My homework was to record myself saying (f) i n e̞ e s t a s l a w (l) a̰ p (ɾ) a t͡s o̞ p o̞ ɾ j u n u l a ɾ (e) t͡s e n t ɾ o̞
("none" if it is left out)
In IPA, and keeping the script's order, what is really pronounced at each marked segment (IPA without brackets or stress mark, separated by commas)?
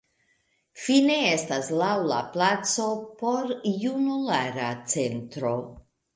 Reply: f, l, l, a